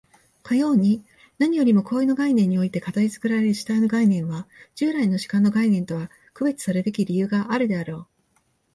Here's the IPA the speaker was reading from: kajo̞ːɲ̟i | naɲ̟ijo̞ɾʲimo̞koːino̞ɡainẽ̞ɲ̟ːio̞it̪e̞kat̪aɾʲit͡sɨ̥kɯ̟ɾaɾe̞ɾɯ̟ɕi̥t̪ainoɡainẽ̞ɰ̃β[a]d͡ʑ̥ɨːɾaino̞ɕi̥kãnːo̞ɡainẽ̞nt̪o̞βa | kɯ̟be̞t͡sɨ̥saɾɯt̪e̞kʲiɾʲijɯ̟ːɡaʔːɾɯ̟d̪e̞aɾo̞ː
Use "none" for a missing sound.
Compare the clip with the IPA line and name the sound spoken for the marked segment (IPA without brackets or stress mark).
a